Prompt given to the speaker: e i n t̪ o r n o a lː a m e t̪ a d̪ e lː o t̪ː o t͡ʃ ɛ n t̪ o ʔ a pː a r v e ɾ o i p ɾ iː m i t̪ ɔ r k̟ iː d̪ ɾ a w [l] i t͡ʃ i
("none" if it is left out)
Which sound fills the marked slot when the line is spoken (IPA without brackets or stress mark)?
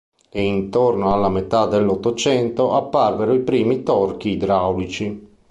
l